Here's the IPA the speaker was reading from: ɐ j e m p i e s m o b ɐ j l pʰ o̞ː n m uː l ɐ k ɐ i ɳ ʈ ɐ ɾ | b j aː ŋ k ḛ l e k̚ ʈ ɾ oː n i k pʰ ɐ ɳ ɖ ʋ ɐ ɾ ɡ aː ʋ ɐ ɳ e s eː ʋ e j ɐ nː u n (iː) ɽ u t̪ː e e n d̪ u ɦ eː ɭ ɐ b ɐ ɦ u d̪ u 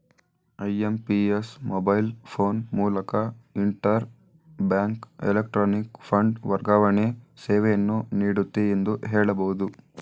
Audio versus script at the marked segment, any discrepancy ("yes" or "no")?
no